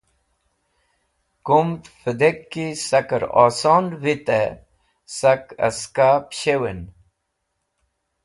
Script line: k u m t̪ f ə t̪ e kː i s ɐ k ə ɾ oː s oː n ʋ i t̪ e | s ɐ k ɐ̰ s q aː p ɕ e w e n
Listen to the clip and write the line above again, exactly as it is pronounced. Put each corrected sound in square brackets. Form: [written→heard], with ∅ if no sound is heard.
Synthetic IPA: k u m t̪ f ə [t̪→d̪] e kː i s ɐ k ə ɾ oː s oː n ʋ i t̪ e | s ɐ k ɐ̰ s [q→k] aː p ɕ e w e n